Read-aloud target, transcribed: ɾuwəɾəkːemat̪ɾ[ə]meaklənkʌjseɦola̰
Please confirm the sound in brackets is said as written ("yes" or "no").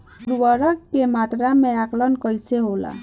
no